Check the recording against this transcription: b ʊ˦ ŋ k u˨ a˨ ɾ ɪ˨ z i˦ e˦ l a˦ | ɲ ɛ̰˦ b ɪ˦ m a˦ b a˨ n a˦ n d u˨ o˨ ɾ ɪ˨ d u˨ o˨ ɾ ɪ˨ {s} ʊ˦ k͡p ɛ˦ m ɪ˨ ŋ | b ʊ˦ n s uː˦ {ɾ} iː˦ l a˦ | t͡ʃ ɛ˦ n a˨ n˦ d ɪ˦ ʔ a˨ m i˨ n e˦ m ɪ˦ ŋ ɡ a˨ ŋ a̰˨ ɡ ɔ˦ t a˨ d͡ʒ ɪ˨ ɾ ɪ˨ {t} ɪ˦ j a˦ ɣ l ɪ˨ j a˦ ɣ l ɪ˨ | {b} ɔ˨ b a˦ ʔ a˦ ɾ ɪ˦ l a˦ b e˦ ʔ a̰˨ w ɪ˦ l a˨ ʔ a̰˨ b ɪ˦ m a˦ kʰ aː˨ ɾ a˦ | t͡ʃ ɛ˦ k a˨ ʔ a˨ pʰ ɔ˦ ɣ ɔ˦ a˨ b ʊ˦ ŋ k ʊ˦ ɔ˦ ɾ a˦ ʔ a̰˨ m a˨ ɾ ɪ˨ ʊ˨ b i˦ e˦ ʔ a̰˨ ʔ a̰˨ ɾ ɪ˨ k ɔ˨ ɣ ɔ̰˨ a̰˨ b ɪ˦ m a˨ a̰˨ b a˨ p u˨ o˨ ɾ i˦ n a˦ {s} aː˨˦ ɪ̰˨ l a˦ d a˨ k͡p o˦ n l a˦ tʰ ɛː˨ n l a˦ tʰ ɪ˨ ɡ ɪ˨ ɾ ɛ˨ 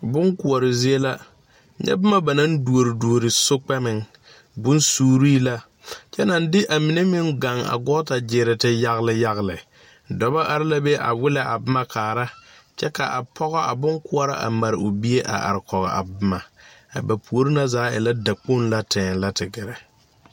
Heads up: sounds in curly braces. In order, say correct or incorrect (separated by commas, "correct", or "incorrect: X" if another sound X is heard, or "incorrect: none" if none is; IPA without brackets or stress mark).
correct, correct, correct, incorrect: d, incorrect: z